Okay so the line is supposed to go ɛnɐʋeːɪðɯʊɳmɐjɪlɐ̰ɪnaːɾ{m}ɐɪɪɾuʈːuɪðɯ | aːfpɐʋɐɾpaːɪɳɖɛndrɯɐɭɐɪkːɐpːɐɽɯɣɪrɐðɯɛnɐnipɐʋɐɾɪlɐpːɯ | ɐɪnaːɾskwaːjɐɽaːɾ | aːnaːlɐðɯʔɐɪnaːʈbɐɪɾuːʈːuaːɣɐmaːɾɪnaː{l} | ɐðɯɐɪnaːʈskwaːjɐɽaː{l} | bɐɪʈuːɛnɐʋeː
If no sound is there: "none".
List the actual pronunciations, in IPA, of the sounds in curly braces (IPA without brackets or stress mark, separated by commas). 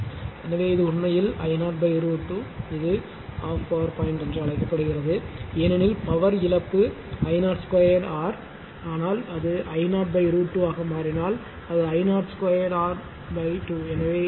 b, l, ɾ